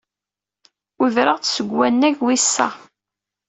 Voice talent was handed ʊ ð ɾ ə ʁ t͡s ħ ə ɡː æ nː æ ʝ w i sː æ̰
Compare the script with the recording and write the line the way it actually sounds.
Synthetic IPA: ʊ ð ɾ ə ʁ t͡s s ə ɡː æ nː æ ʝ w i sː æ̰